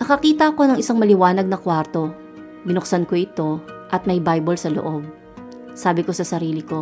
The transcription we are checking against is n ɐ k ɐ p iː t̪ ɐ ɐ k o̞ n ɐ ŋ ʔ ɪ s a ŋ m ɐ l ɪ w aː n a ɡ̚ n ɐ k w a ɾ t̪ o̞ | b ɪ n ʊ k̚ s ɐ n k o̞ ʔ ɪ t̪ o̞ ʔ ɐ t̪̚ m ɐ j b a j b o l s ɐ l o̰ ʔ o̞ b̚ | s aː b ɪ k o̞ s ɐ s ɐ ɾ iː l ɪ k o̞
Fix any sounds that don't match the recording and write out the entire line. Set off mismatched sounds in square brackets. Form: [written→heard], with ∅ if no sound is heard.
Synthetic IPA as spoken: n ɐ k ɐ [p→k] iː t̪ ɐ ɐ k o̞ n ɐ ŋ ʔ ɪ s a ŋ m ɐ l ɪ w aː n [a→ɐ] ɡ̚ n ɐ k w a ɾ t̪ o̞ | b ɪ n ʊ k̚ s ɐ n k o̞ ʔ ɪ t̪ o̞ ʔ ɐ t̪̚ m ɐ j b a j b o l s ɐ l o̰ ʔ o̞ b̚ | s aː b ɪ k o̞ s ɐ s ɐ ɾ iː l ɪ k o̞